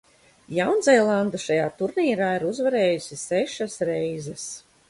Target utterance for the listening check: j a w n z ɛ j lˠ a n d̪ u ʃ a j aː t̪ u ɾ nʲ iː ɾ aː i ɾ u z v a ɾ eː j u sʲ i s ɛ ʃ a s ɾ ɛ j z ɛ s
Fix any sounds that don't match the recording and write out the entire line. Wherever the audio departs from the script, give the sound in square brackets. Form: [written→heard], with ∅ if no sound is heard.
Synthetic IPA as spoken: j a w n z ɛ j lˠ a n d̪ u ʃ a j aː t̪ u ɾ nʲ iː ɾ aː i ɾ u z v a ɾ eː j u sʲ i s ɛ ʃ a s ɾ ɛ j z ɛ s